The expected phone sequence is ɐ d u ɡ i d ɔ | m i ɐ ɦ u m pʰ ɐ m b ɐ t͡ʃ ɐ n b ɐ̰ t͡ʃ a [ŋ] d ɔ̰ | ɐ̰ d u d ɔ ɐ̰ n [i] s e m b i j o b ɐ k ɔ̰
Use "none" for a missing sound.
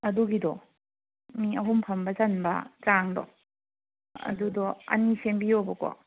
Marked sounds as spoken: ŋ, i

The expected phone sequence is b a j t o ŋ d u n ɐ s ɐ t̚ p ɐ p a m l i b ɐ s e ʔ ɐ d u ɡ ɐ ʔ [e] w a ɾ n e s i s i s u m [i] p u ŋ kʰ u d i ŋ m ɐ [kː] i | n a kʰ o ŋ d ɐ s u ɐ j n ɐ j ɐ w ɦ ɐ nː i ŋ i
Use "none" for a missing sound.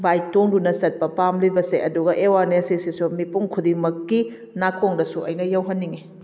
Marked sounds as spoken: e, i, kː

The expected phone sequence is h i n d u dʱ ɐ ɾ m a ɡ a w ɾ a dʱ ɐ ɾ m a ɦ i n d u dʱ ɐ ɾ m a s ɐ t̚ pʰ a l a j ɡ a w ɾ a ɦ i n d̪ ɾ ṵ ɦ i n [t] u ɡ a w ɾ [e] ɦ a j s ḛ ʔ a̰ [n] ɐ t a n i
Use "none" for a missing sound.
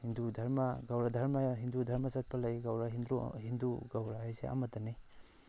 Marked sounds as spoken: d, a, m

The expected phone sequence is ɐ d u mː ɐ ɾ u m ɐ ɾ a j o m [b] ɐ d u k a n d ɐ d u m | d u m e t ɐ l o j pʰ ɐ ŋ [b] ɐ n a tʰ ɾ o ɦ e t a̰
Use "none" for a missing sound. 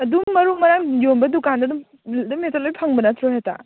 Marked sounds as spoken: b, b

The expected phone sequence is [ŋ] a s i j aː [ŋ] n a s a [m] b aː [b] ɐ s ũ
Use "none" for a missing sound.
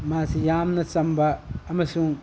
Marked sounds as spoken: m, m, m, m

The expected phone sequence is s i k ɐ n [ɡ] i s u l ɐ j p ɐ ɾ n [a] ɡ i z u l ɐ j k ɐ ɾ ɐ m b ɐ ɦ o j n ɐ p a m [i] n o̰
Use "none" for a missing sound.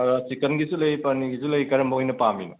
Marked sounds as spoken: ɡ, i, i

